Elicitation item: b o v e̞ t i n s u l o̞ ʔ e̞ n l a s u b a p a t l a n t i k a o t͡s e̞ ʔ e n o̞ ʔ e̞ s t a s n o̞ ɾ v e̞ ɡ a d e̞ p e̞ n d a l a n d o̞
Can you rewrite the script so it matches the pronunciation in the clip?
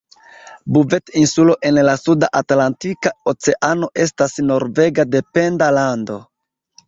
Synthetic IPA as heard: b u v e̞ t i n s u l o̞ ʔ e̞ n l a s u d a ʔ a t l a n t i k a o t͡s e̞ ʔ a n o̞ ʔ e̞ s t a s n o̞ ɾ v e̞ ɡ a d e̞ p e̞ n d a l a n d o̞